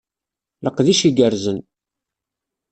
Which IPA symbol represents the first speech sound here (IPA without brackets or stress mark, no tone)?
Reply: l